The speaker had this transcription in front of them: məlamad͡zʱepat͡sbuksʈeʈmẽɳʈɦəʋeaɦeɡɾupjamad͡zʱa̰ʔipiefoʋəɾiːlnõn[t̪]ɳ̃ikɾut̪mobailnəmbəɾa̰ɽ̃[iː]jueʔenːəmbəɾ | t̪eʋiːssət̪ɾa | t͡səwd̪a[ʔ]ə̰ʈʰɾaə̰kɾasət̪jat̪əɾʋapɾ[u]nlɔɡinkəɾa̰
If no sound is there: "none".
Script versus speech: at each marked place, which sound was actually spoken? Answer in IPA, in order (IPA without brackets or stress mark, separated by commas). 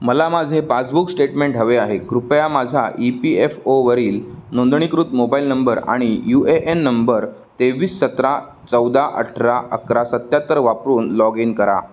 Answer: d̪, i, ʔ, uː